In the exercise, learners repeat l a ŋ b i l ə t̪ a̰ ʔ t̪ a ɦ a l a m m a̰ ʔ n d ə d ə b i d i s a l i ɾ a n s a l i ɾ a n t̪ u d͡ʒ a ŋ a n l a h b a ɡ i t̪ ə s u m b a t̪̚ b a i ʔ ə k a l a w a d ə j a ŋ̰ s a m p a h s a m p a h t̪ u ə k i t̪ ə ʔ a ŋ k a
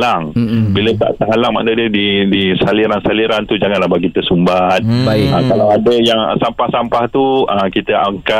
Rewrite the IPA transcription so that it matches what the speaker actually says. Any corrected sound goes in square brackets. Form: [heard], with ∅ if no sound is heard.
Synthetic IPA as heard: l a ŋ b i l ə t̪ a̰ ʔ t̪ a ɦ a l a [ŋ] m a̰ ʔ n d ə d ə [d] i d i s a l i ɾ a n s a l i ɾ a n t̪ u d͡ʒ a ŋ a n l a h b a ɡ i t̪ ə s u m b a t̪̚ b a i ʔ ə k a l a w a d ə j a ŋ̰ s a m p a h s a m p a h t̪ u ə k i t̪ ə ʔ a ŋ k a